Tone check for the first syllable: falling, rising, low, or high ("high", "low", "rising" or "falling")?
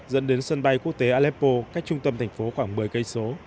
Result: rising